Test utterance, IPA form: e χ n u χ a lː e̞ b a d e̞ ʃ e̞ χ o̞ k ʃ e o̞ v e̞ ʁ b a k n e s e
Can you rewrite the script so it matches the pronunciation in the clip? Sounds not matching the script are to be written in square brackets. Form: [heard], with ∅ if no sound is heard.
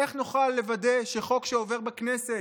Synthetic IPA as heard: e χ n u χ a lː e̞ [v] a d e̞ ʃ e̞ χ o̞ k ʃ e o̞ v e̞ ʁ b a k n e s e